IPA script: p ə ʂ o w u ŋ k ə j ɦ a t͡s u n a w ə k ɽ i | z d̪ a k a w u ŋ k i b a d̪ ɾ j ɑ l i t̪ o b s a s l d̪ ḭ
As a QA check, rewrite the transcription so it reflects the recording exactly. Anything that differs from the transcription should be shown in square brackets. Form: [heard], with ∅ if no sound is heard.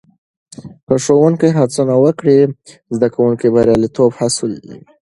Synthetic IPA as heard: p ə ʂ o w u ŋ k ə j ɦ a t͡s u n a w ə k ɽ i | z d̪ a k a w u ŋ k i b a [∅] ɾ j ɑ l i t̪ o b [h] a s l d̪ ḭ